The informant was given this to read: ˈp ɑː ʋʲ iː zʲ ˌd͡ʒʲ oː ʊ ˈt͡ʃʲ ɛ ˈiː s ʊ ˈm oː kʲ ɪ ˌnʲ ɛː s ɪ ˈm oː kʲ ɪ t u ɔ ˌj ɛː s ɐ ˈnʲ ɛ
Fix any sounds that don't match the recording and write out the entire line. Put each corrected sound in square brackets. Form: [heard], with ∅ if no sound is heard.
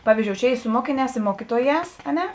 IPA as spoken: ˈp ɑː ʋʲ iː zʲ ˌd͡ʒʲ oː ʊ ˈt͡ʃʲ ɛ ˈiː s ʊ ˈm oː kʲ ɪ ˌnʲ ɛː s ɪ ˈm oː kʲ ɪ t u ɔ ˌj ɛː s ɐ ˈnʲ ɛ